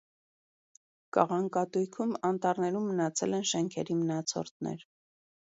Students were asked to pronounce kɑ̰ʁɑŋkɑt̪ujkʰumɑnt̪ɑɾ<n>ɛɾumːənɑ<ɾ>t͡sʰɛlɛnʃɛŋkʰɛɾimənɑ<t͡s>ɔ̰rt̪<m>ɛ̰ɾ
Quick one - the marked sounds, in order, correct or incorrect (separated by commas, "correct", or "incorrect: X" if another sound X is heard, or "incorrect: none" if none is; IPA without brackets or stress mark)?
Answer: correct, incorrect: none, incorrect: t͡sʰ, incorrect: n